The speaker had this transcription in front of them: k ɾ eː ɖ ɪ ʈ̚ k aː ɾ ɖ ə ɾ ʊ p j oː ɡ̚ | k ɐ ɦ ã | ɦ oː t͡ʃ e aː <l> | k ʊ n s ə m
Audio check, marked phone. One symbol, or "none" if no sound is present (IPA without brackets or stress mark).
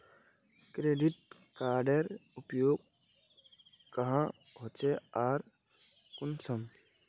ɾ